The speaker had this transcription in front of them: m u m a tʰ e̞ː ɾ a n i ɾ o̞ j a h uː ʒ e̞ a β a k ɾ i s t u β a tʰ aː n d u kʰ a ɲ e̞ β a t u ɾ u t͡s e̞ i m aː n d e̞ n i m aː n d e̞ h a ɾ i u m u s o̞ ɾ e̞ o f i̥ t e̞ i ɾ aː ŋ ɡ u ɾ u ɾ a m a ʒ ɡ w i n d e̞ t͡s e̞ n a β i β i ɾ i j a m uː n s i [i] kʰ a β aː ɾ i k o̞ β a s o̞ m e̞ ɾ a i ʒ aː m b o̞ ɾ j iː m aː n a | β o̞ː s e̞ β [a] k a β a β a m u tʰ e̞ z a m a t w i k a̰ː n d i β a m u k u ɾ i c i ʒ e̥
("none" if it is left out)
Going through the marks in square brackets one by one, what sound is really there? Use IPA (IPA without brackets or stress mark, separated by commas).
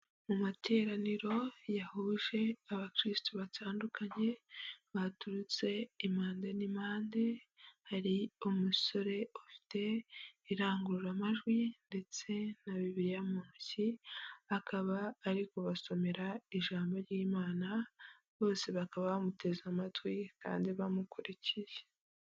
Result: a, a